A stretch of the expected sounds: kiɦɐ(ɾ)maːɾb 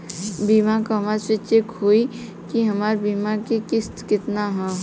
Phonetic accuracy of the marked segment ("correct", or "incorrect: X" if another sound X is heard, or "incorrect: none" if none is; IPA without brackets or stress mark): incorrect: none